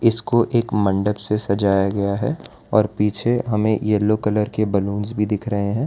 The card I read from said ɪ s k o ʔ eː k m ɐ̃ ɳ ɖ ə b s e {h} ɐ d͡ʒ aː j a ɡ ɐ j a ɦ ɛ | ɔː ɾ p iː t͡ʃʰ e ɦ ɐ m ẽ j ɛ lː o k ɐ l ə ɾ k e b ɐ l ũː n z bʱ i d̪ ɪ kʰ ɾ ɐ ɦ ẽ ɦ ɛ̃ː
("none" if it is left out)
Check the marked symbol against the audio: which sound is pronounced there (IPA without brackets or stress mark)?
s